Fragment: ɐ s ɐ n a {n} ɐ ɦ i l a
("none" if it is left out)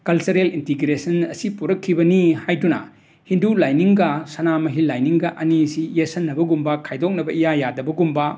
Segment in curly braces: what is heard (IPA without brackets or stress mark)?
m